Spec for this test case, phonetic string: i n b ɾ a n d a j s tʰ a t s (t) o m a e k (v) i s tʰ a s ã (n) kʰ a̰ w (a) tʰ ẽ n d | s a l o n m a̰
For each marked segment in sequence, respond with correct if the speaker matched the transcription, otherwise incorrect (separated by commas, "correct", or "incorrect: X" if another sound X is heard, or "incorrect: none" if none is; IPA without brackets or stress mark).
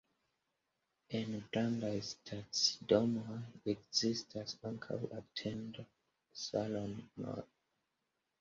incorrect: d, incorrect: z, incorrect: ŋ, correct